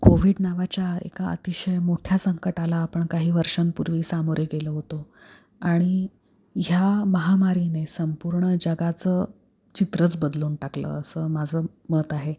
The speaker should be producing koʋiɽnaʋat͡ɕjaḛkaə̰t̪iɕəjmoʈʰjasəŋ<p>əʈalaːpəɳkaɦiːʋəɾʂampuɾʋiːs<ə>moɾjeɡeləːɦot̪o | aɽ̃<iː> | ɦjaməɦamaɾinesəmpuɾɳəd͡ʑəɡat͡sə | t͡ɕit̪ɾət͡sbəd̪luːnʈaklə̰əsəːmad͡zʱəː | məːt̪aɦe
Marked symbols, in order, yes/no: no, no, no

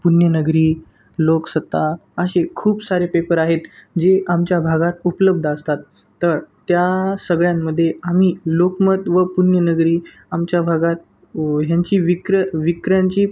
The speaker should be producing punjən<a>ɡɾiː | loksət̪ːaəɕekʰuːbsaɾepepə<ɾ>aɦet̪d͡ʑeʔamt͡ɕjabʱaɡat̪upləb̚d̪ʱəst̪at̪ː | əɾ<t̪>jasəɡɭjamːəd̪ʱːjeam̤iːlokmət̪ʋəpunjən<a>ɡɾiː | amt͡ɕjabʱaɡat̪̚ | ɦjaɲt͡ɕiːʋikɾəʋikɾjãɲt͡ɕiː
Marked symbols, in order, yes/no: no, yes, yes, no

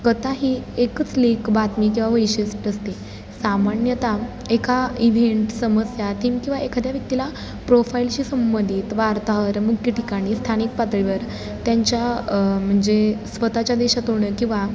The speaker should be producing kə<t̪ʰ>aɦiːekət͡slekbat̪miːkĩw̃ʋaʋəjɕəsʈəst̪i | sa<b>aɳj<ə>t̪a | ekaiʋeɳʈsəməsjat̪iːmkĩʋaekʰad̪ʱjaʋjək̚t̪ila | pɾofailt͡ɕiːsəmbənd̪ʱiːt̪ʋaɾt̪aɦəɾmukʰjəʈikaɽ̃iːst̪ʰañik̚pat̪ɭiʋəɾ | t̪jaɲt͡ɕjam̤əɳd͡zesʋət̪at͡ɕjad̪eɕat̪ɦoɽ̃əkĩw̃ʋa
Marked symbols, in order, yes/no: no, no, yes

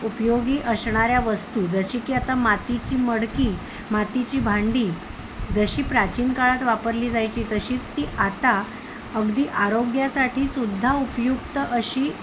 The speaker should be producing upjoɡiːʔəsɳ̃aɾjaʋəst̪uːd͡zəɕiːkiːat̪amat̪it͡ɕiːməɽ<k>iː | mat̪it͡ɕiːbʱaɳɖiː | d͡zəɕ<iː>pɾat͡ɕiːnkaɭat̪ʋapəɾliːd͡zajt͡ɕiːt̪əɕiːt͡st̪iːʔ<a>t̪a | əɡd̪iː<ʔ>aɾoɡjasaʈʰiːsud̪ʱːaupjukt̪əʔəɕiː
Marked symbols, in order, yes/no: yes, yes, yes, yes

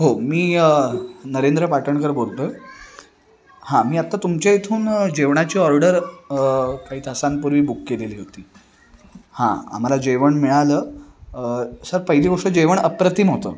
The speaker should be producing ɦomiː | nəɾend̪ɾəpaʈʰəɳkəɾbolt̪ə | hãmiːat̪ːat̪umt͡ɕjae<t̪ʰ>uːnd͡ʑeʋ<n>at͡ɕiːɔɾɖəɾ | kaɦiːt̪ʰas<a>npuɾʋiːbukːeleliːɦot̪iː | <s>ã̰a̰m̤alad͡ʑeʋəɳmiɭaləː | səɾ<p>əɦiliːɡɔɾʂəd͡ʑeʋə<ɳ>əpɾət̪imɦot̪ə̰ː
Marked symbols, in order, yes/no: yes, no, yes, no, yes, yes

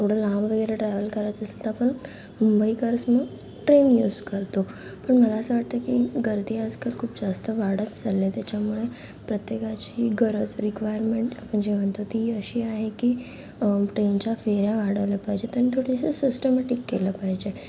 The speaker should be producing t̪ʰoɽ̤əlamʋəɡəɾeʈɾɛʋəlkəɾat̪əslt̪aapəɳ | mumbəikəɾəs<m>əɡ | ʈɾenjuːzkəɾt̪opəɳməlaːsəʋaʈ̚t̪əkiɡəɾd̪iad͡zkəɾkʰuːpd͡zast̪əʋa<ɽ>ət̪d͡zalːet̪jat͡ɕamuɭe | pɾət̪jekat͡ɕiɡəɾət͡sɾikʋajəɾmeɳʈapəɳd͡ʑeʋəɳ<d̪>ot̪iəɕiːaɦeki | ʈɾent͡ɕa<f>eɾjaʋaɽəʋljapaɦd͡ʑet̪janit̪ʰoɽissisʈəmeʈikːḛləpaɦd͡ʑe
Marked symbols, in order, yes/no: yes, yes, no, yes

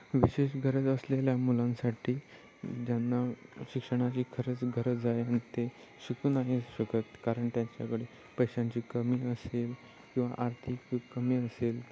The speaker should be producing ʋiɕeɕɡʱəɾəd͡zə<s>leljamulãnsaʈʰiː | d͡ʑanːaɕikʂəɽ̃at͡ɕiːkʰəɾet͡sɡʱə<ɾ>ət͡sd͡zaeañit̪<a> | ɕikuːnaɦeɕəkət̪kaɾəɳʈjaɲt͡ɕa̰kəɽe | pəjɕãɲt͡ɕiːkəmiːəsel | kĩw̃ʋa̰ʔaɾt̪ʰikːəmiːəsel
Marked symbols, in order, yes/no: yes, yes, no

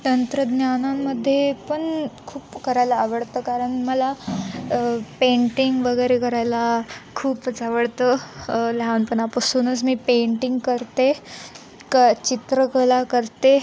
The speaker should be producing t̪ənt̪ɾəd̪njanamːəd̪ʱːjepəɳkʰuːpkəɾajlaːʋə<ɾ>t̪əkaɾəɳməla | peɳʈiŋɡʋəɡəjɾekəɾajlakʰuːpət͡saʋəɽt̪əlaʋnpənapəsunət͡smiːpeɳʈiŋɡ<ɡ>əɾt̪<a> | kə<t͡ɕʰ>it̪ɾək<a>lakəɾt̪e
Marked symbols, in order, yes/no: no, no, no, no, no

